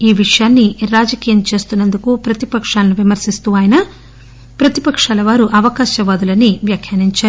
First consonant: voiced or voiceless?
voiced